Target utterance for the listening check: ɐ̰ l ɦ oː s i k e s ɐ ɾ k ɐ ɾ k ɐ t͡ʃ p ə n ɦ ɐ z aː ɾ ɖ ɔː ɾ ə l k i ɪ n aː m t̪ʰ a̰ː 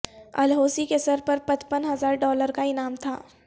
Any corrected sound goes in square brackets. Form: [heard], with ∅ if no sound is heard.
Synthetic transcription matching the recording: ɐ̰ l ɦ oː s i k e s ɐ ɾ [p] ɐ ɾ [p] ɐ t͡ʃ p ə n ɦ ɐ z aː ɾ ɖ ɔː [l] ə [ɾ] k [a] ɪ n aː m t̪ʰ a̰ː